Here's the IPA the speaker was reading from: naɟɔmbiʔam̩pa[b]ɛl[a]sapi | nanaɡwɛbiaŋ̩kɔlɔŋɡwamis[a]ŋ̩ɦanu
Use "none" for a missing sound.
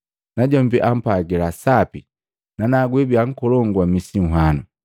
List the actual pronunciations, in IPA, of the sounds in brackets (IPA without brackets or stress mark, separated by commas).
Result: ɡ, a, i